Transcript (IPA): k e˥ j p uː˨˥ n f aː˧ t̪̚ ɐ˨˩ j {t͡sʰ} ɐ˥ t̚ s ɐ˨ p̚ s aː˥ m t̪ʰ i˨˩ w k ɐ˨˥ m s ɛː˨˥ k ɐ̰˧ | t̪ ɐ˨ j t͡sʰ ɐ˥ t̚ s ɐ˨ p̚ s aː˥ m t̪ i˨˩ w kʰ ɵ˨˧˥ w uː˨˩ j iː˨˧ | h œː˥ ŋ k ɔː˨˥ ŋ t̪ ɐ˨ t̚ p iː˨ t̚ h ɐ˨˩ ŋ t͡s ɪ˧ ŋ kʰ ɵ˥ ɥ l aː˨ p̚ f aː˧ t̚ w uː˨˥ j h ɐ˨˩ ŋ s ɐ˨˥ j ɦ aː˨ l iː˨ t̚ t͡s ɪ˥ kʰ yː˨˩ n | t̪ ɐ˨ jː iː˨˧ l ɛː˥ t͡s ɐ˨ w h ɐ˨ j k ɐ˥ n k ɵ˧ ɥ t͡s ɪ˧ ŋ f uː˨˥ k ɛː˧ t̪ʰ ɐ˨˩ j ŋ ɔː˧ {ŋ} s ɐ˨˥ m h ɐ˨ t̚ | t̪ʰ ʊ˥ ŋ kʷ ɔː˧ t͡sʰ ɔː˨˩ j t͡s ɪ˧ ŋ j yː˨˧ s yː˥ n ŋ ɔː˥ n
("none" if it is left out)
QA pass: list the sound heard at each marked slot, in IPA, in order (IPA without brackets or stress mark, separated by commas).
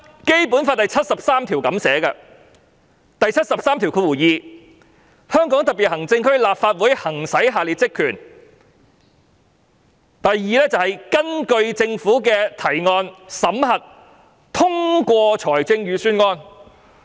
t͡sʰ, n